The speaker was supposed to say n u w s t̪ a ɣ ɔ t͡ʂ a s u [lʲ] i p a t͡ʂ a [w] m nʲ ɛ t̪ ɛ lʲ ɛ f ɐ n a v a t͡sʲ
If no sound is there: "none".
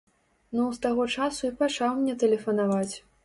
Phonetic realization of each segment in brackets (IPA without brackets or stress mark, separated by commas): none, w